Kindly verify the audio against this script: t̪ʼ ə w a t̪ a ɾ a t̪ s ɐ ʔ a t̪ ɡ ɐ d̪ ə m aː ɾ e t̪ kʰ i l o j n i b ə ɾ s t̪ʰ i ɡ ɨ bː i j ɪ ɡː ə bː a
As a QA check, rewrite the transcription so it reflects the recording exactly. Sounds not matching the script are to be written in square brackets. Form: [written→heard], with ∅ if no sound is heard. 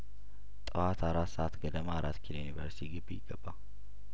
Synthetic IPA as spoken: t̪ʼ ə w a t̪ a ɾ a t̪ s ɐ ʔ a t̪ ɡ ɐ d̪ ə m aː ɾ [e→a] t̪ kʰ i l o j n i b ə ɾ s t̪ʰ i ɡ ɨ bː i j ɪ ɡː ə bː a